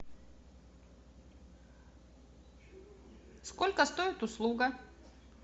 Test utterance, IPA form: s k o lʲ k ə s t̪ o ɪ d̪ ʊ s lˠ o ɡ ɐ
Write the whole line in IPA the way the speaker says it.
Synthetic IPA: s k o lʲ k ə s t̪ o ɪ t̪ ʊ s lˠ u ɡ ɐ